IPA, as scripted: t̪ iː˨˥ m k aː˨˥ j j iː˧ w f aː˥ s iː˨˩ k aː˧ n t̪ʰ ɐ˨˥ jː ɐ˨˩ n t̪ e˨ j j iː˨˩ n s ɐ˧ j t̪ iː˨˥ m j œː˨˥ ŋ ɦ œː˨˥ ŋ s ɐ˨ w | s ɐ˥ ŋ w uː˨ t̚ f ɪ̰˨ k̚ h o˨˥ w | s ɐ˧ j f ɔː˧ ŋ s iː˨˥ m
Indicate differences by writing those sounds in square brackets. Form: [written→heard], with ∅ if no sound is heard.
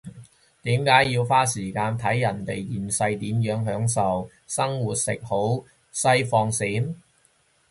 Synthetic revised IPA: t̪ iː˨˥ m k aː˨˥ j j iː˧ w f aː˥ s iː˨˩ k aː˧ n t̪ʰ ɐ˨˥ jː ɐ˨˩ n t̪ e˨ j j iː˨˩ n s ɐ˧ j t̪ iː˨˥ m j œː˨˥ ŋ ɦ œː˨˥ ŋ s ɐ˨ w | s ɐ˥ ŋ w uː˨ t̚ [f→s] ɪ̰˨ k̚ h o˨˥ w | s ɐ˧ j f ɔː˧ ŋ s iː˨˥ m